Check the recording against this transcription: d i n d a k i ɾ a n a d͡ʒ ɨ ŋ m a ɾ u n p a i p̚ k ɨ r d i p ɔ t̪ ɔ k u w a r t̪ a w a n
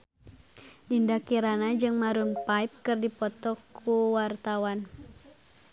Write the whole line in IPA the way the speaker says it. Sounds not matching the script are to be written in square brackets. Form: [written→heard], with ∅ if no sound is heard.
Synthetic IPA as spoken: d i n d a k i ɾ a n a d͡ʒ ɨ ŋ m a ɾ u n p a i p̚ k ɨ r d i p ɔ t̪ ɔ k u w a r t̪ a w a n